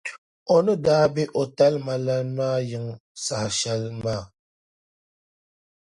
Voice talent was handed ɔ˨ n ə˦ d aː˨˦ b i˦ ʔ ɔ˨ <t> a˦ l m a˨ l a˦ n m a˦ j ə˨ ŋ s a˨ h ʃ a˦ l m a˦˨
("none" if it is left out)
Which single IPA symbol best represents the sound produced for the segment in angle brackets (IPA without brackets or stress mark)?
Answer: t